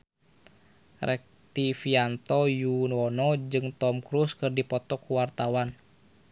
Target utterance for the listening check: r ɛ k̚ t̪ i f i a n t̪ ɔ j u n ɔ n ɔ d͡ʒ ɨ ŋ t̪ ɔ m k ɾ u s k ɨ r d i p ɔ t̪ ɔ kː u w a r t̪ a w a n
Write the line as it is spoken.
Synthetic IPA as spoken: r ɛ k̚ t̪ i f i a n t̪ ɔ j u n ɔ n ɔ d͡ʒ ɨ ŋ t̪ ɔ m k ɾ u s k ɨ r d i p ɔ t̪ ɔ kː u w a r t̪ a w a n